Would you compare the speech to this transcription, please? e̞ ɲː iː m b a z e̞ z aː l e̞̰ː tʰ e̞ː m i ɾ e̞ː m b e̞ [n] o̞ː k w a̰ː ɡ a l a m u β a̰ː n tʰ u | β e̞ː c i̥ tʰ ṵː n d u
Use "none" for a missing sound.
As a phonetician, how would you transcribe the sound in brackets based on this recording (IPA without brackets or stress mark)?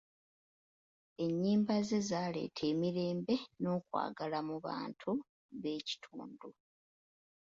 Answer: n